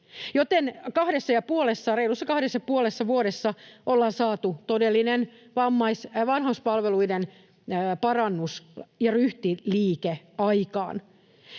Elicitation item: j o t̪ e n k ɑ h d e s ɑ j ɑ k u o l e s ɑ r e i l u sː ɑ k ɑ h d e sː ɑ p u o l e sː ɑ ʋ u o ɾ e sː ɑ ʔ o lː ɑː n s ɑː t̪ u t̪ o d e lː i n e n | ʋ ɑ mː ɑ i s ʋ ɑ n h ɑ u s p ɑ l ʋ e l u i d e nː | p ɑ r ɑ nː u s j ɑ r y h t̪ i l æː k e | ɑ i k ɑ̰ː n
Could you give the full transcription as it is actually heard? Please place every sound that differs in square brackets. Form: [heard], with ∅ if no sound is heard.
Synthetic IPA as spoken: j o t̪ e n k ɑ h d e [sː] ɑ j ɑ [p] u o l e [sː] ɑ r e i l u sː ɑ k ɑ h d e sː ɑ p u o l e sː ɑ ʋ u o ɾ e sː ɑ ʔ o lː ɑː n s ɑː t̪ u t̪ o d e lː i n e n | ʋ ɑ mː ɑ i s ʋ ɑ n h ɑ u s p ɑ l ʋ e l u i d e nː | p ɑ r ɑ nː u s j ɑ r y h t̪ i l [iː] k e | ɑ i k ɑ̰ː n